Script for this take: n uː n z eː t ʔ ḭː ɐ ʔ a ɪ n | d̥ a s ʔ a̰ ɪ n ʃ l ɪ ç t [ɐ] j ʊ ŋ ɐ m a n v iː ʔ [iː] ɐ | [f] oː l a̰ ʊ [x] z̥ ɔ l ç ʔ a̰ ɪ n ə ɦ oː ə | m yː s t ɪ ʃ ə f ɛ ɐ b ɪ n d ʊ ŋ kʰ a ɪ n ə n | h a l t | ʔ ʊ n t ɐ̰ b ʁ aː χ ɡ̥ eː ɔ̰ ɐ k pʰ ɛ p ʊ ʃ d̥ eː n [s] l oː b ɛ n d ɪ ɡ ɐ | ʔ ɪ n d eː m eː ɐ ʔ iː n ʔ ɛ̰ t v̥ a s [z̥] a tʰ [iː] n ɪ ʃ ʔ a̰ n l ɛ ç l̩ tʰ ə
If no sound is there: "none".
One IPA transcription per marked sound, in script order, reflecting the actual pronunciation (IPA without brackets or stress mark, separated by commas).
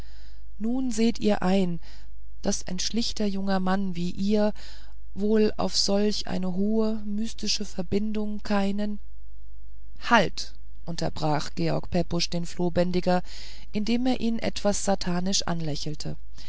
ɐ, iː, v, f, f, z̥, aː